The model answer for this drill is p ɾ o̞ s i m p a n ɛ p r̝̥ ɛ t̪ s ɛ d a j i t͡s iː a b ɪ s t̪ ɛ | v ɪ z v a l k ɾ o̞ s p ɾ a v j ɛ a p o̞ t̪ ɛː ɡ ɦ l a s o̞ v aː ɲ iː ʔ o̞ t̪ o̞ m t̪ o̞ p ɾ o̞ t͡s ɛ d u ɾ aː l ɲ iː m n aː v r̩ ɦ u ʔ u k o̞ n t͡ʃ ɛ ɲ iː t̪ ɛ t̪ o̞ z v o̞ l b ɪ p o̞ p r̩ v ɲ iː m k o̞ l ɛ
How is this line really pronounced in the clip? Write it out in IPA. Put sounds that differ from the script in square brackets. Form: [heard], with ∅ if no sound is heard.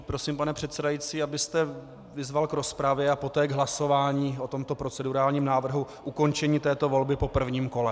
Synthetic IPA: p ɾ o̞ s i m p a n ɛ p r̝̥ ɛ t̪ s ɛ d a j i t͡s iː a b ɪ s t̪ ɛ | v ɪ z v a l k ɾ o̞ s p ɾ a v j ɛ a p o̞ t̪ ɛː ɡ ɦ l a s o̞ v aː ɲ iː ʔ o̞ t̪ o̞ m t̪ o̞ p ɾ o̞ t͡s ɛ d u ɾ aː l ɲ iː m n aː v r̩ ɦ u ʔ u k o̞ n t͡ʃ ɛ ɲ iː t̪ [ɛː] t̪ o̞ [∅] v o̞ l b ɪ p o̞ p r̩ v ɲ iː m k o̞ l ɛ